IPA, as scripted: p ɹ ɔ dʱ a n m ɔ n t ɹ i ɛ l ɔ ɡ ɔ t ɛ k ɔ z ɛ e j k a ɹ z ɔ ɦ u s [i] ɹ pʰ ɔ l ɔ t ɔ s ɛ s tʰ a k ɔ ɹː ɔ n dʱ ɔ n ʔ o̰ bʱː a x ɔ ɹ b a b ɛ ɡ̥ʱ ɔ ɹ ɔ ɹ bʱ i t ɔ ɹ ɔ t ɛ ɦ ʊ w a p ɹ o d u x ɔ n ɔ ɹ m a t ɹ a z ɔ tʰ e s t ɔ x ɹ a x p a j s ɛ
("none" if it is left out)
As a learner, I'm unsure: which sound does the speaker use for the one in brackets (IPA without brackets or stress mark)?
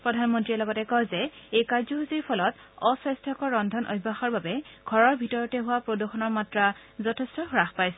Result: i